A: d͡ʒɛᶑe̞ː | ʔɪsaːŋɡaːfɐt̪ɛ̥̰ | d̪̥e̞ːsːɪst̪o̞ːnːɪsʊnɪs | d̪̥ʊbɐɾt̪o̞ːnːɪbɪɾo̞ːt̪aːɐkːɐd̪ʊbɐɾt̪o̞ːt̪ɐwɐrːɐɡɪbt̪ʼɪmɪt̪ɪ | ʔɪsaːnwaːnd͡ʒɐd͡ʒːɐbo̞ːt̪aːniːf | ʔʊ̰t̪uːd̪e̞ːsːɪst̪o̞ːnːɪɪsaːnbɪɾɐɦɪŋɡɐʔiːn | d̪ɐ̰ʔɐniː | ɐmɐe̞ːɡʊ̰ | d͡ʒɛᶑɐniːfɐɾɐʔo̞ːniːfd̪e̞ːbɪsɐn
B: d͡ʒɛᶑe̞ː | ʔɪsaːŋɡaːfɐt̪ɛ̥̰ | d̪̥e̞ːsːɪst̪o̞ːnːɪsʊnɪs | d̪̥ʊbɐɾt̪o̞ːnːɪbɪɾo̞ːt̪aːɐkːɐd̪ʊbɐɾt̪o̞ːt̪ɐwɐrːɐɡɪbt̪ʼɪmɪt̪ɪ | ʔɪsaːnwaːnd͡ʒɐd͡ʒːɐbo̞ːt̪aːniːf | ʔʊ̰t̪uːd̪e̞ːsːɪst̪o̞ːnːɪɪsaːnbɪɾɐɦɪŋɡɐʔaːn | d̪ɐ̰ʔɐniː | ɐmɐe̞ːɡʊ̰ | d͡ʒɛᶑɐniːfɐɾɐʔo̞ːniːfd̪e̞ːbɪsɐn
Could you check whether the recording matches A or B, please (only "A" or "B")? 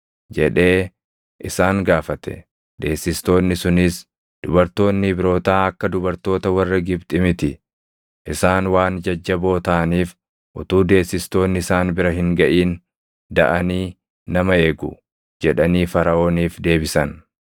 A